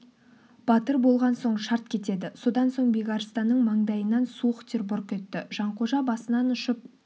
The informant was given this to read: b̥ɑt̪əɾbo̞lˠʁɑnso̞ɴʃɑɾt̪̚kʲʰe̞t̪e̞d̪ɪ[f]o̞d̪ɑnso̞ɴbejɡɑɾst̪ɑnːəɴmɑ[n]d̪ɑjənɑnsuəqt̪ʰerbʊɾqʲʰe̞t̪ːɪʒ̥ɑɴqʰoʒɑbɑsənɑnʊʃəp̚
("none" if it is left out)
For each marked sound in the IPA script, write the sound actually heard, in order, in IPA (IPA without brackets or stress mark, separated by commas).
s, ɴ